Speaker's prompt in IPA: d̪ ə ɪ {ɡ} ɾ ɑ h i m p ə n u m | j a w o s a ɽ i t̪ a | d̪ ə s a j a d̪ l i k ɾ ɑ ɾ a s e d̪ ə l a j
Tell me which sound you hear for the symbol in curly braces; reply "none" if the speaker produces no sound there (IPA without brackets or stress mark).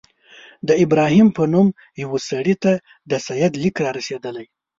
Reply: b